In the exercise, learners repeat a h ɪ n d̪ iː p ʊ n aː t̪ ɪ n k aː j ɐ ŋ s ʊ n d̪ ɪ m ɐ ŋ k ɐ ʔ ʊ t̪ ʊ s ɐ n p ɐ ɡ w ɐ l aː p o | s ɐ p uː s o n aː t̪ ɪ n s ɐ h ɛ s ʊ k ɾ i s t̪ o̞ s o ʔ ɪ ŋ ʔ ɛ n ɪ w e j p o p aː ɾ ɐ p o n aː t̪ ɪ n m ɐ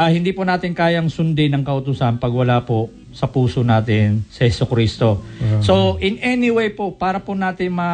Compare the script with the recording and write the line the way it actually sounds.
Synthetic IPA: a h ɪ n d̪ iː p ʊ n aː t̪ ɪ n k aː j ɐ ŋ s ʊ n d̪ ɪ n ɐ ŋ k ɐ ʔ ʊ t̪ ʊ s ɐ n p ɐ ɡ w ɐ l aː p o | s ɐ p uː s o n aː t̪ ɪ n s ɐ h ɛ s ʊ k ɾ i s t̪ o̞ s o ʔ ɪ n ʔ ɛ n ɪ w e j p o p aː ɾ ɐ p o n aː t̪ ɪ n m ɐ